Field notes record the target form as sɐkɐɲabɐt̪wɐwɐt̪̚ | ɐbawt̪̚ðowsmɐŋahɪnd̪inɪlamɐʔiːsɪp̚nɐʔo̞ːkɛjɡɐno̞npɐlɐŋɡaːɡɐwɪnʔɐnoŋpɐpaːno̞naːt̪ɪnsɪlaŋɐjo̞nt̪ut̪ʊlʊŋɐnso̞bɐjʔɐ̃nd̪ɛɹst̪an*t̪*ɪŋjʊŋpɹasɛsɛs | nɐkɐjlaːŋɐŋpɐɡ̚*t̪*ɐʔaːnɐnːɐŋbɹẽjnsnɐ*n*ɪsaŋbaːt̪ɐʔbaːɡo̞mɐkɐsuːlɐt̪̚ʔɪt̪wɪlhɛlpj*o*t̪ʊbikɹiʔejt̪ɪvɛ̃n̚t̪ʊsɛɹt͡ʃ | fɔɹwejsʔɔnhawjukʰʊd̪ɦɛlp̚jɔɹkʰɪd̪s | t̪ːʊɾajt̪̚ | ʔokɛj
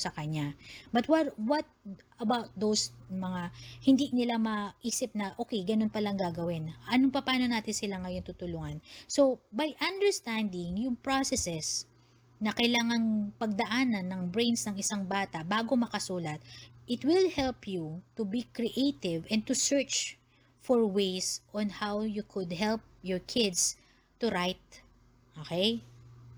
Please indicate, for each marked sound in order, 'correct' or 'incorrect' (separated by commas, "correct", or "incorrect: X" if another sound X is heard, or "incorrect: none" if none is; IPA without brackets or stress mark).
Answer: incorrect: d̪, incorrect: d̪, incorrect: ŋ, incorrect: u